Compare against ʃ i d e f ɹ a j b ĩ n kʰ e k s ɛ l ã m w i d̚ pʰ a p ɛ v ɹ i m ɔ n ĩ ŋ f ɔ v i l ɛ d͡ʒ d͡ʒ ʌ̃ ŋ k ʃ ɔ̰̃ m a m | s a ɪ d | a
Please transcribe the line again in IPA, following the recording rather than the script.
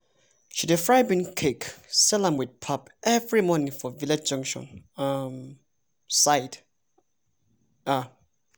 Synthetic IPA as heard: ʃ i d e f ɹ a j b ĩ n kʰ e k s ɛ l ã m w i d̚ pʰ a p ɛ v ɹ i m ɔ n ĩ ŋ f ɔ v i l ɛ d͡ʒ d͡ʒ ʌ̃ ŋ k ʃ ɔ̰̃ n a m | s a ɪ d | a